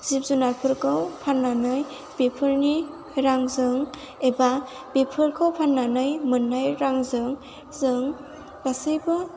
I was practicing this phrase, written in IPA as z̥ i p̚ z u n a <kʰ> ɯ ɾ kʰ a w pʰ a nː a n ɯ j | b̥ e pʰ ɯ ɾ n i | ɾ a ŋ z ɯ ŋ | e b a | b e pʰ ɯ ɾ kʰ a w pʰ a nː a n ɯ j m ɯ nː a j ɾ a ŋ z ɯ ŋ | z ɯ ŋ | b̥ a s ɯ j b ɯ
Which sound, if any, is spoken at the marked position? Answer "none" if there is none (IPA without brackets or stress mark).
pʰ